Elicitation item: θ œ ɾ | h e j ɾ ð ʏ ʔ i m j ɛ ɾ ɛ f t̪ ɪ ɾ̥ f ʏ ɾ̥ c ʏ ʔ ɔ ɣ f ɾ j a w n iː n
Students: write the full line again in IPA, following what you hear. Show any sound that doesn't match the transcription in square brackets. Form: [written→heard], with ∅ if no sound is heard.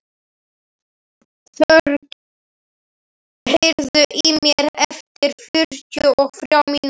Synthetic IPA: θ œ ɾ | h e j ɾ ð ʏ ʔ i m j ɛ ɾ ɛ f t̪ ɪ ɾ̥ f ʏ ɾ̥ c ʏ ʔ ɔ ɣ f ɾ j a w [n→m] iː n